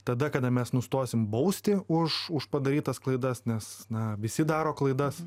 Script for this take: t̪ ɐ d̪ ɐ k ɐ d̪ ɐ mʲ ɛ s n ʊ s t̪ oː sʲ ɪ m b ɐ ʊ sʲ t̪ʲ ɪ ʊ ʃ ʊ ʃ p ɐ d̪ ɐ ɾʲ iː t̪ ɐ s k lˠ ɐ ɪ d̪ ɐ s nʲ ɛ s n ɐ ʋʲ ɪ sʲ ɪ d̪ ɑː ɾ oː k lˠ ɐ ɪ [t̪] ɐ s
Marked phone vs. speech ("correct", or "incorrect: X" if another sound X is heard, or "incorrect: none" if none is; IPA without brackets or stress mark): incorrect: d̪